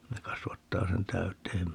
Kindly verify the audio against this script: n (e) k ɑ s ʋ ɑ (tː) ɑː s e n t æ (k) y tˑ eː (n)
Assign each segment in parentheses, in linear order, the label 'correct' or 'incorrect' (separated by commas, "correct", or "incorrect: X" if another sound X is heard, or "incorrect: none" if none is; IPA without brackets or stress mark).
correct, correct, incorrect: none, incorrect: m